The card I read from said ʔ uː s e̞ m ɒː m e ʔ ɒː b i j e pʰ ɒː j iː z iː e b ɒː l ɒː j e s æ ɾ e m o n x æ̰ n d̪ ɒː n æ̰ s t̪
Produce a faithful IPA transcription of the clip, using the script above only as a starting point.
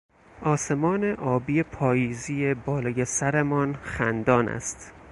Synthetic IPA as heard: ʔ ɒː s e̞ m ɒː n e ʔ ɒː b i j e pʰ ɒː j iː z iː e b ɒː l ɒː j e s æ ɾ e m ɒ n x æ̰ n d̪ ɒː n æ̰ s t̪

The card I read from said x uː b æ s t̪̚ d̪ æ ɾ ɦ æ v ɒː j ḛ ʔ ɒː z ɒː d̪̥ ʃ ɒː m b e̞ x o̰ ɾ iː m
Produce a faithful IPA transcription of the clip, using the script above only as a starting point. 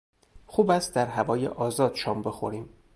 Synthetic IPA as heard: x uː b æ s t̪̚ d̪ æ ɾ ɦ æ v ɒː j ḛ ʔ ɒː z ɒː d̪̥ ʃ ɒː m b e̞ x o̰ ɾ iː m

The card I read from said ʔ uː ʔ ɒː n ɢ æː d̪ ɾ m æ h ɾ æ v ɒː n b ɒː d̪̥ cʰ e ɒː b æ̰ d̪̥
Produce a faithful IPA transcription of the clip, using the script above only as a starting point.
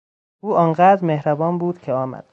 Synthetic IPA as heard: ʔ uː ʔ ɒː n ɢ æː d̪ ɾ m e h ɾ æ b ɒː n b uː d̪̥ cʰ e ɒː m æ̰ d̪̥

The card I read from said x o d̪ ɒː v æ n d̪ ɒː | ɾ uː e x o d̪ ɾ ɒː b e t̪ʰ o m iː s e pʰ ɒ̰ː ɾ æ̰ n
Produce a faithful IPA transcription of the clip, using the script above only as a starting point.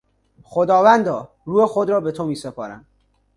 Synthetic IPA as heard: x o d̪ ɒː v æ n d̪ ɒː | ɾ uː e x o d̪ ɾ ɒː b e t̪ʰ o m iː s e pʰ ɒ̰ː ɾ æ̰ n

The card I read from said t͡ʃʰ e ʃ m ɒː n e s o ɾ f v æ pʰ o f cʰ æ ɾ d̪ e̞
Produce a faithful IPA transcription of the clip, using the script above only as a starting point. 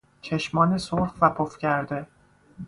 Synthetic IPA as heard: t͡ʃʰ e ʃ m ɒː n e s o ɾ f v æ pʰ o f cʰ æ ɾ d̪ e̞

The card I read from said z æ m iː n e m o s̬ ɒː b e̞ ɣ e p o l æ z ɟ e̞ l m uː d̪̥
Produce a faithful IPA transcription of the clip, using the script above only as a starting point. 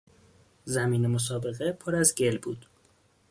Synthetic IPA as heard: z æ m iː n e m o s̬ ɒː b e̞ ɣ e pʰ o ɾ æ z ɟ e̞ l b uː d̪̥

